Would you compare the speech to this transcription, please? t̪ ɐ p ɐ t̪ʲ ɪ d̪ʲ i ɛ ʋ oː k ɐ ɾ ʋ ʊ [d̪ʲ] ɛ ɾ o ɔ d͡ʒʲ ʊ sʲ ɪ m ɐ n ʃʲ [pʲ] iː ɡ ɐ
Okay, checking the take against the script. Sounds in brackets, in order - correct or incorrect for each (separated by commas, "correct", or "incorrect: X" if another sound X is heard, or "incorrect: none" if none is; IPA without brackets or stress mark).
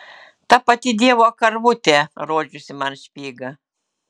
incorrect: t̪ʲ, correct